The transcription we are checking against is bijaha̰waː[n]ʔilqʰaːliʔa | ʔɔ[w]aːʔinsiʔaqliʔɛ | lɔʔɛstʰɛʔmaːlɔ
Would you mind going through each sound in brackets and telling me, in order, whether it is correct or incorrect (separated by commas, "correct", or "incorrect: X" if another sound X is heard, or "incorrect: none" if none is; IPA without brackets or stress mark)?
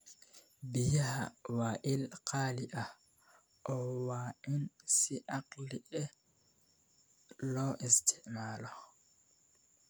incorrect: none, correct